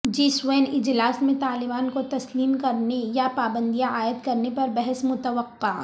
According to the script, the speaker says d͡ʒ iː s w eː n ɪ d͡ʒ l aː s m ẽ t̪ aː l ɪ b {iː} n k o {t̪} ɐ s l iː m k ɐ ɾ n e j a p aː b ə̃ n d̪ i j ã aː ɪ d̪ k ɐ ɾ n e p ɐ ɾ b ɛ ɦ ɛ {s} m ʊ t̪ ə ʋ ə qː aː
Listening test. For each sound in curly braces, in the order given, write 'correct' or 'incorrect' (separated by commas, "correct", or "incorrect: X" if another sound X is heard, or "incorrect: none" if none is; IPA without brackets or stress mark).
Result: incorrect: aː, correct, correct